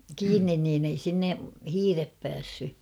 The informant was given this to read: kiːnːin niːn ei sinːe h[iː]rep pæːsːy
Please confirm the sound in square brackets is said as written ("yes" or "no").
yes